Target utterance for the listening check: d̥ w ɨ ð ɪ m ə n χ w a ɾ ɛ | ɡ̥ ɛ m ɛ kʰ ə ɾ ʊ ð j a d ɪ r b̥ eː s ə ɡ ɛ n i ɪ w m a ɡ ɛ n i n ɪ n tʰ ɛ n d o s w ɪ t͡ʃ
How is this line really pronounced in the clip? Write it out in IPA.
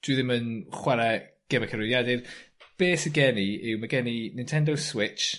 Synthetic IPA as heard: d̥ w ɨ ð ɪ m ə n χ w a ɾ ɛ | ɡ̥ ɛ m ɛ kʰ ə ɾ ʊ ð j a d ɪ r b̥ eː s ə ɡ ɛ n i ɪ w m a ɡ ɛ n i n ɪ n tʰ ɛ n d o s w ɪ t͡ʃ